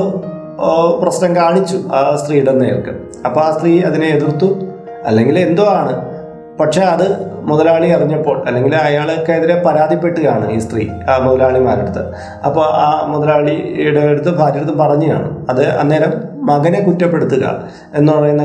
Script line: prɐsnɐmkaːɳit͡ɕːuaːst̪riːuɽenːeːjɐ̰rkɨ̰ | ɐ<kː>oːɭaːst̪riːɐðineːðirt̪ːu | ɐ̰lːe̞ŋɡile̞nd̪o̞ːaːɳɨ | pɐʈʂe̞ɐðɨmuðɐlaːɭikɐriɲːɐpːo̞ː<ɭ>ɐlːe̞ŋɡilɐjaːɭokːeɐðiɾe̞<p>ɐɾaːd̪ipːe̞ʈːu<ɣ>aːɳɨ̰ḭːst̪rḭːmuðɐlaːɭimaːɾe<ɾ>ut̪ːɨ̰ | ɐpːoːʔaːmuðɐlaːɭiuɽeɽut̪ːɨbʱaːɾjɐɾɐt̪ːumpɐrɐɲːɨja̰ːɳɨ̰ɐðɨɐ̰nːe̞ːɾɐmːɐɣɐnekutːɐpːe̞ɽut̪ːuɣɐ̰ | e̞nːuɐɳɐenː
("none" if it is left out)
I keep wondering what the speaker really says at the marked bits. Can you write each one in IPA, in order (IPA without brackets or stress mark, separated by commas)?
pː, ɭ, p, ɣ, ɽ